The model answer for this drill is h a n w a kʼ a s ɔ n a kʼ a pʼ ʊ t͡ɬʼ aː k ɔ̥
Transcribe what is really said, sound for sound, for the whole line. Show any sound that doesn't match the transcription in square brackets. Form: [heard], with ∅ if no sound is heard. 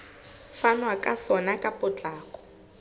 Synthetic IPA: [f] a n w a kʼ a s ɔ n a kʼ a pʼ ʊ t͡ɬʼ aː k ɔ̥